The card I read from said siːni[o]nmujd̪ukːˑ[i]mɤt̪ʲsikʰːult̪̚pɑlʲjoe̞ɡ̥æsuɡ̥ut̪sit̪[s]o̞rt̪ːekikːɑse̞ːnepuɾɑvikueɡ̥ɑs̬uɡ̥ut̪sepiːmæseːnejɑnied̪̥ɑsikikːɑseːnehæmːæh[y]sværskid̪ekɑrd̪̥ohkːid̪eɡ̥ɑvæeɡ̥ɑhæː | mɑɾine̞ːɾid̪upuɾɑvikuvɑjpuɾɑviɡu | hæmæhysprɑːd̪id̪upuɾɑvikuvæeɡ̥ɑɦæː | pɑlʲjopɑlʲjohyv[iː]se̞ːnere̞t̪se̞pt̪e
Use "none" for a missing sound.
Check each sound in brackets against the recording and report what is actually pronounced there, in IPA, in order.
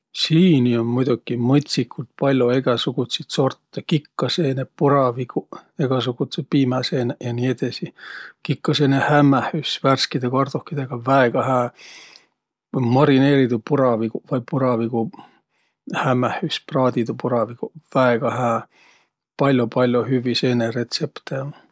o, i, s, y, i

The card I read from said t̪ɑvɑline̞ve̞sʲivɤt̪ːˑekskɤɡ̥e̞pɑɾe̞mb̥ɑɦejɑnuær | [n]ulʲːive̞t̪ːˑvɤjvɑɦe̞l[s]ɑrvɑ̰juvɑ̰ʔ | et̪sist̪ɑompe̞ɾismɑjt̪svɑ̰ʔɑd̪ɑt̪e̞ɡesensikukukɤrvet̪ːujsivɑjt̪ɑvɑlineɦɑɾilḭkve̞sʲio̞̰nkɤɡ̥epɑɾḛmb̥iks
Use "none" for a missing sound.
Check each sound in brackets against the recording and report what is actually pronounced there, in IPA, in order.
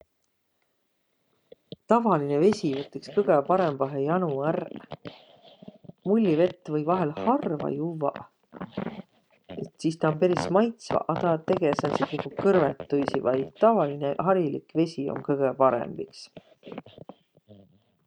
m, h

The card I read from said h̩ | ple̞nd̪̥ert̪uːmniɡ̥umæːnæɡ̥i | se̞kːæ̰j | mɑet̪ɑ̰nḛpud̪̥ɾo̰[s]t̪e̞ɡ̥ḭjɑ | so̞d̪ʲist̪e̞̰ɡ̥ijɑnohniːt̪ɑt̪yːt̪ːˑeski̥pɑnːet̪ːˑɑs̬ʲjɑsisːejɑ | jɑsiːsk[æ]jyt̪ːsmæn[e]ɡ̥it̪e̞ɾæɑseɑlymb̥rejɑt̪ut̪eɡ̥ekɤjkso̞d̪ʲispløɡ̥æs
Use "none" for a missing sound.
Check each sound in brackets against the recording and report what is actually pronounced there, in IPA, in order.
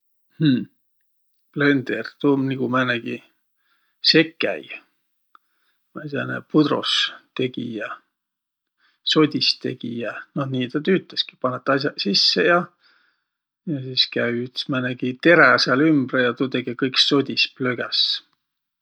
s, æ, æ

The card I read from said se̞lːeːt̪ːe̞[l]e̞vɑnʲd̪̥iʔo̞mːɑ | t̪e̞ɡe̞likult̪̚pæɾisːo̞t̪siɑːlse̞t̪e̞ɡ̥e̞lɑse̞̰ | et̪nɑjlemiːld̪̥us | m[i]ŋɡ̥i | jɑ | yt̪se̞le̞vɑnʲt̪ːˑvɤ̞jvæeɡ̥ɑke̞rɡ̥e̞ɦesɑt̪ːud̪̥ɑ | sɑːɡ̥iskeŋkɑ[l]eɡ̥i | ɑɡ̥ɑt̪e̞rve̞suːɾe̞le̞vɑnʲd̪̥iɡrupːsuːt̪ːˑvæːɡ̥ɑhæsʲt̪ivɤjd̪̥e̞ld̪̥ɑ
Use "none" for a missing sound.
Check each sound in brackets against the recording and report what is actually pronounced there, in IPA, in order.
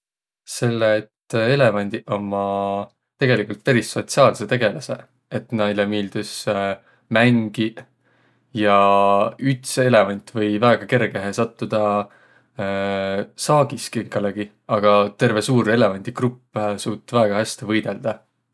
l, æ, l

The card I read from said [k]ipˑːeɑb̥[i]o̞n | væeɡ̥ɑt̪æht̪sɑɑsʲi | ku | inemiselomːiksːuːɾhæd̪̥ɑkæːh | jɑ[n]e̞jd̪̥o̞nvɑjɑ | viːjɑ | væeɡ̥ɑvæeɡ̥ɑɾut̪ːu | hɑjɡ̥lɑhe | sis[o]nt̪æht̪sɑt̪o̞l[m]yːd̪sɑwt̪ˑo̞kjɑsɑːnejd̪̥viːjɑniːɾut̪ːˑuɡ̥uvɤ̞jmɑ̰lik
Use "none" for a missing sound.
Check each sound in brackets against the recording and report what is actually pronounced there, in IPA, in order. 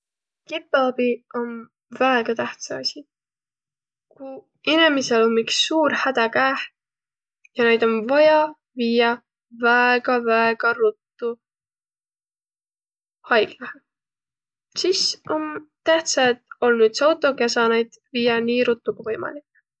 k, i, n, o, n

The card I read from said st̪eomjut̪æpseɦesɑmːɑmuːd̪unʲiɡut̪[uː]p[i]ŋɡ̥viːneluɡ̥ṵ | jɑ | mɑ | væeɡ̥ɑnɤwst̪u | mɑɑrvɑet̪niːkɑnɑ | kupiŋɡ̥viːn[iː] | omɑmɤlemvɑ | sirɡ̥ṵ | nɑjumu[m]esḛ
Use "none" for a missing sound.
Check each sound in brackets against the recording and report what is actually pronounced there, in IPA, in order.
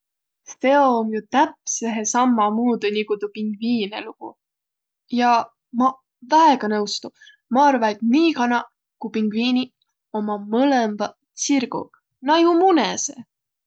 u, i, i, n

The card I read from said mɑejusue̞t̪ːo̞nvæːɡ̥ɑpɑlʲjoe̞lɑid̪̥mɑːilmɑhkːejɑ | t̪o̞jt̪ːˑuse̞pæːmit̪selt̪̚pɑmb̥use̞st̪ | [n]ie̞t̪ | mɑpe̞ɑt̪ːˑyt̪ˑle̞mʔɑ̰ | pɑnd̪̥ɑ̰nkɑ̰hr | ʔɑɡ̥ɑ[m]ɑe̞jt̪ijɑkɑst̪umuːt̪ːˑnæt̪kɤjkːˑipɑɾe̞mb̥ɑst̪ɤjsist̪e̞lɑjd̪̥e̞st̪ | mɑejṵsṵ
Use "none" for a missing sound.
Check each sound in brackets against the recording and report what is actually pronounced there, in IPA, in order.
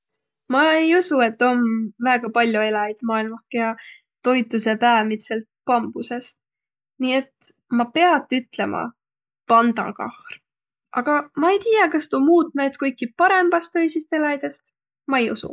n, m

